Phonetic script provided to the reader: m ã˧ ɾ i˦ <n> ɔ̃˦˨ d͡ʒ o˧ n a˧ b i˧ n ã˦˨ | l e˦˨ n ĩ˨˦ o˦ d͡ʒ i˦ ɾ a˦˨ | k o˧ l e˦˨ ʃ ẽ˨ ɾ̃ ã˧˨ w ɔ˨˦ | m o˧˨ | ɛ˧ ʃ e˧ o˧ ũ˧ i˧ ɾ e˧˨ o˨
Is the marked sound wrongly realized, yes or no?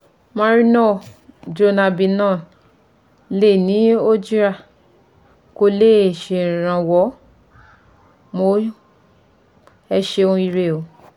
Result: no